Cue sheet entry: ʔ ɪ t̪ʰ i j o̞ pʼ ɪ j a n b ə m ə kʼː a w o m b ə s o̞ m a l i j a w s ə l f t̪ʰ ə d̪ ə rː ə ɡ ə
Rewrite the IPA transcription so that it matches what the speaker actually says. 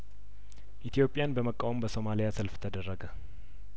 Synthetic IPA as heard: ʔ i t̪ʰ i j o̞ pʼ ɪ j a n b ə m ə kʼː a w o m b ə s o̞ m a l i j a s ə l f t̪ʰ ə d̪ ə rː ə ɡ ə